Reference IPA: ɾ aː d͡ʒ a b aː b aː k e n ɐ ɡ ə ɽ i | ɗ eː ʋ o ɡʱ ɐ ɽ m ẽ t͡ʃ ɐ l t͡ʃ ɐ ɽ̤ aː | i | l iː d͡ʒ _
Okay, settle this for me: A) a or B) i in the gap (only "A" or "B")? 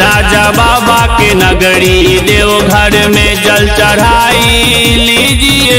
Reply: B